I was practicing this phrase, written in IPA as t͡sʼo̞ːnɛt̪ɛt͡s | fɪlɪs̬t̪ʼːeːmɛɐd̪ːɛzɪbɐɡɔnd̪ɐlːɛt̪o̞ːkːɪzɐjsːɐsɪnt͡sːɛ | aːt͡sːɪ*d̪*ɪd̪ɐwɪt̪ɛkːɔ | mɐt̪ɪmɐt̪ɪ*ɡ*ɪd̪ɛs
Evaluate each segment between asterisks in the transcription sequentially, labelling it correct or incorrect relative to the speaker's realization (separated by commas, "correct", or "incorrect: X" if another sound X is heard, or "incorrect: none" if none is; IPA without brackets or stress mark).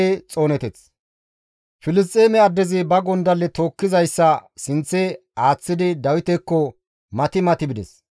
correct, incorrect: b